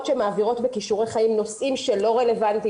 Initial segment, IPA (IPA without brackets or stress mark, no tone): t